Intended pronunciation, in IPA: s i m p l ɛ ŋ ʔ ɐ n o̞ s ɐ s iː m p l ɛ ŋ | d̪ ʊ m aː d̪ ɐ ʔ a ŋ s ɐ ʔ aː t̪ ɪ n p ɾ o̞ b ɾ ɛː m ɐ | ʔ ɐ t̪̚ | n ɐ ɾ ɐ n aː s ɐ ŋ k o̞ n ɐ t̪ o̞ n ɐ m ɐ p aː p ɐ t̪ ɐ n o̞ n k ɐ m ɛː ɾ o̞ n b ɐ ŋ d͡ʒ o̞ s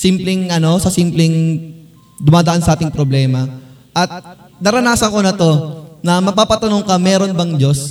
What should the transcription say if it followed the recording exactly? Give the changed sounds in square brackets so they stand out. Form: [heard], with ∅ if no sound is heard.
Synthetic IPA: s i m p l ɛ ŋ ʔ ɐ n o̞ s ɐ s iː m p l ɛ ŋ | d̪ ʊ m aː d̪ ɐ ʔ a [n] s ɐ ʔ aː t̪ ɪ [ŋ] p ɾ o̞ b [l] ɛː m ɐ | ʔ ɐ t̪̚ | n ɐ ɾ ɐ n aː s ɐ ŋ k o̞ n ɐ t̪ o̞ n ɐ m ɐ p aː p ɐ t̪ ɐ n o̞ [ŋ] k ɐ m ɛː ɾ o̞ n b ɐ ŋ d͡ʒ o̞ s